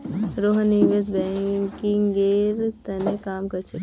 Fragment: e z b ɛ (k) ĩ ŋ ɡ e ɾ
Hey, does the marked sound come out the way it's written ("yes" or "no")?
yes